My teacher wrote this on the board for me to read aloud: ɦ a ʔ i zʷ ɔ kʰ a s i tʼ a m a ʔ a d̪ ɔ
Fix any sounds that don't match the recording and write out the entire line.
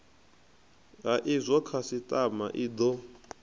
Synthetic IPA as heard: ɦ a ʔ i zʷ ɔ kʰ a s i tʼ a m a ʔ i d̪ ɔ